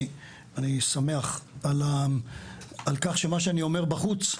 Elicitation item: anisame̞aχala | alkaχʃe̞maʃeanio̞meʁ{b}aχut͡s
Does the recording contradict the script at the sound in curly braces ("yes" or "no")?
no